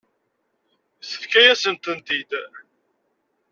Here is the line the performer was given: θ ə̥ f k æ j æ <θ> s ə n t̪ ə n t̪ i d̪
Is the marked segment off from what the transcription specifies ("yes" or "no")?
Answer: yes